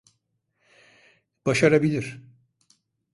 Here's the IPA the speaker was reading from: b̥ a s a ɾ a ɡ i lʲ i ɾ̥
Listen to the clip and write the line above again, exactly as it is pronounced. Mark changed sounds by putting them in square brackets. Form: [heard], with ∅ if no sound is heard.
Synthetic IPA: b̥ a [ʃ] a ɾ a [b] i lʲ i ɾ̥